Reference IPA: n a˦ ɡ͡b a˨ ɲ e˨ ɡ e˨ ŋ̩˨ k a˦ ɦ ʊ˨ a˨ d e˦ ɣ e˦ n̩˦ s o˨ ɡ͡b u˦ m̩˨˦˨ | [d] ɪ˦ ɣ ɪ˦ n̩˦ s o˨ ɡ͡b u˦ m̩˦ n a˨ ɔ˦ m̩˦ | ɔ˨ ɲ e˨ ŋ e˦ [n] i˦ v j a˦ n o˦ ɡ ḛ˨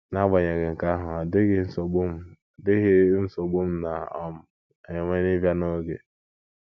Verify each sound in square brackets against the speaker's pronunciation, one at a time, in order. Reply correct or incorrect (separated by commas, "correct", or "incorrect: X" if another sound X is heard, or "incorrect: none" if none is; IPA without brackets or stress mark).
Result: correct, correct